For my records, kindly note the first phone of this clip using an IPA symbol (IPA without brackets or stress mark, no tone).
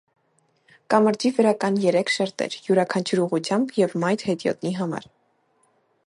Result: k